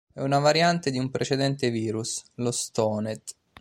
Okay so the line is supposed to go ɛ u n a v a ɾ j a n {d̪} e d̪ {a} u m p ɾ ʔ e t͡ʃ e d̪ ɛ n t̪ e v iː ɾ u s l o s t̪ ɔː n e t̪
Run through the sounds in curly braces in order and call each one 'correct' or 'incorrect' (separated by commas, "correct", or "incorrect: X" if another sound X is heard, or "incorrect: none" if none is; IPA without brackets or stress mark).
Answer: incorrect: t̪, incorrect: i